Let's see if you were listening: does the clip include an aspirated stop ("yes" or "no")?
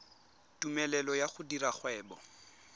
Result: no